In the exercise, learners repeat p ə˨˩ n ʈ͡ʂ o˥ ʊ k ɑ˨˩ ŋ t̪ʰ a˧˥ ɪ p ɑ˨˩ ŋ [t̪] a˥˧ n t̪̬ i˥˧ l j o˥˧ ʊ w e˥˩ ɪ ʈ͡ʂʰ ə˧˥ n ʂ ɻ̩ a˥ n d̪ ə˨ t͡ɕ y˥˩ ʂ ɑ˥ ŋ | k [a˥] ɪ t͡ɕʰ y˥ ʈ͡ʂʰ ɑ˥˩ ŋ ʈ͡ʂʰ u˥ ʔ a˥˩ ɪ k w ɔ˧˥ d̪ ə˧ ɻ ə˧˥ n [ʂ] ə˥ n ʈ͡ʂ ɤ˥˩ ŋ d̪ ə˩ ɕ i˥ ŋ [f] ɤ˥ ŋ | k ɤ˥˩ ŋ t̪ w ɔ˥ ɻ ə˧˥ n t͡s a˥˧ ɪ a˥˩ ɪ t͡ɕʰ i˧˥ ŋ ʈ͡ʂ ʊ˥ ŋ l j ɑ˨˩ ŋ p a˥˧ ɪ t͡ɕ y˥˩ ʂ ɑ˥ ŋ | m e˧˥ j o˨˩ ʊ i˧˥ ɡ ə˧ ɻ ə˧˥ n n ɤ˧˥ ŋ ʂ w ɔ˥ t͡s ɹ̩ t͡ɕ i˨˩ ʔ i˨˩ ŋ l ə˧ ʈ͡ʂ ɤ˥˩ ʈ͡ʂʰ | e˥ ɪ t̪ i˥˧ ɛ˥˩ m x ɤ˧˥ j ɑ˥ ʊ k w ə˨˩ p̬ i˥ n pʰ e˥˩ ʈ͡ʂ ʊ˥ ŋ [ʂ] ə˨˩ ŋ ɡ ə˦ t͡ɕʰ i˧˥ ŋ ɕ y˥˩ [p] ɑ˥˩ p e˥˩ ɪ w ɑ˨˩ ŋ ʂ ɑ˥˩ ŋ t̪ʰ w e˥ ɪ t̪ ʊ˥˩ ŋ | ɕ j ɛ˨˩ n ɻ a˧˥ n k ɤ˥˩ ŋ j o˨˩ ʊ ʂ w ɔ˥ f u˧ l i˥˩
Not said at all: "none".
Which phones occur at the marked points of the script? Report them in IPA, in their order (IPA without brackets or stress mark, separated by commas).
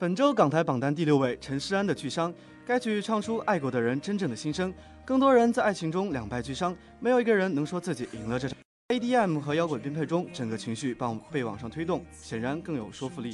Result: t̪, a˥, ʈ͡ʂ, ʂ, ʈ͡ʂ, p